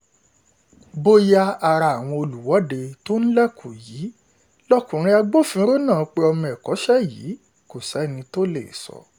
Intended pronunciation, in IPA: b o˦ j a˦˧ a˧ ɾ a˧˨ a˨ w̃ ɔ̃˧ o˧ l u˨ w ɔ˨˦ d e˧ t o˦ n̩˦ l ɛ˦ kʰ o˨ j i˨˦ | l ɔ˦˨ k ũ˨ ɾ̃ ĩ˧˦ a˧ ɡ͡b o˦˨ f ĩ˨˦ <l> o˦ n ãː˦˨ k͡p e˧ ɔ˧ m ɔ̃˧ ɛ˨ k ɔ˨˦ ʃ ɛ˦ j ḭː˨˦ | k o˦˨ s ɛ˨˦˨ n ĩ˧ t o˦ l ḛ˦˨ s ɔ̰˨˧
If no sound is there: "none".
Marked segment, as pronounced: ɾ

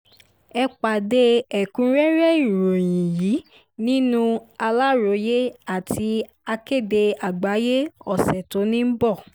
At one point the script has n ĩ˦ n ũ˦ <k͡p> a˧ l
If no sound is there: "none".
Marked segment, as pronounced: none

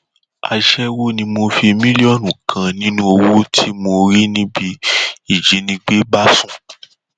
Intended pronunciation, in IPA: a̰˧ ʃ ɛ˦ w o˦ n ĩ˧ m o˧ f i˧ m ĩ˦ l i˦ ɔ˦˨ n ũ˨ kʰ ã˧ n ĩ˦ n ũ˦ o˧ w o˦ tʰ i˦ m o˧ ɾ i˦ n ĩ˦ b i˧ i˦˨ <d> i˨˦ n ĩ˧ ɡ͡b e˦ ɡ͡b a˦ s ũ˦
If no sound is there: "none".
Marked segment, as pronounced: d͡ʒ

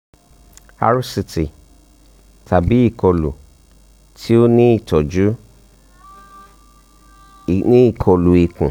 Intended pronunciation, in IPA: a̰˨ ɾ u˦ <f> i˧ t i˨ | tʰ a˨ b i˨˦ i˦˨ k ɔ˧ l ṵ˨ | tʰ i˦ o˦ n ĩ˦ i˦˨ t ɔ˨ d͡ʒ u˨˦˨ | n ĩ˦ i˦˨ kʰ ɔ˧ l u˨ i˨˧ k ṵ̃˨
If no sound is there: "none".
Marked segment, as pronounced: s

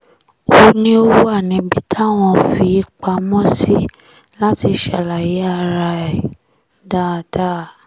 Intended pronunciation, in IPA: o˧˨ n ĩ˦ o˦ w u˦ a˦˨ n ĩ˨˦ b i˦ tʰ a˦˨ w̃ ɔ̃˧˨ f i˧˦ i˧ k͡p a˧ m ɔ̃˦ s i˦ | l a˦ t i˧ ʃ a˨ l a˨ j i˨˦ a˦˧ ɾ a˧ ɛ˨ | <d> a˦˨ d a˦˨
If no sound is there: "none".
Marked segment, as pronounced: d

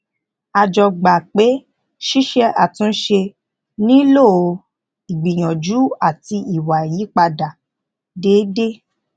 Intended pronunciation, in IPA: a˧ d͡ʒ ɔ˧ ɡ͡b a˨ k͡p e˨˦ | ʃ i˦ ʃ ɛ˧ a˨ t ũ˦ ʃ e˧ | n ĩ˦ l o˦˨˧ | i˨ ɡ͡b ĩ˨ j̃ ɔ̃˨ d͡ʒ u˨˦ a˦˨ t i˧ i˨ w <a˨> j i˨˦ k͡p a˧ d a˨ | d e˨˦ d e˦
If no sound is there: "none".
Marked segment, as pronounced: a˨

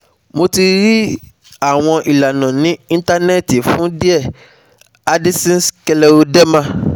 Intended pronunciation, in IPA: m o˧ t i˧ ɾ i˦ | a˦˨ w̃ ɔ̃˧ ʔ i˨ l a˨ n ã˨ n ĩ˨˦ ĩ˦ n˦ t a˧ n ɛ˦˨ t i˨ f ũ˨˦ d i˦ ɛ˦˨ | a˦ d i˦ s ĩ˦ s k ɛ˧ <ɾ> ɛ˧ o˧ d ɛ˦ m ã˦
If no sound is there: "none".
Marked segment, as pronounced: l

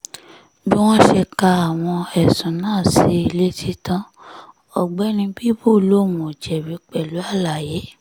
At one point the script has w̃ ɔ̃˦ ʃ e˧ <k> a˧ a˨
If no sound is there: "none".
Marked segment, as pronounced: k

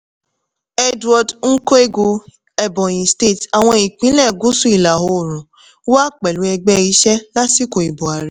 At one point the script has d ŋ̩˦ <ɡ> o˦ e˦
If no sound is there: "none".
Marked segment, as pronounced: k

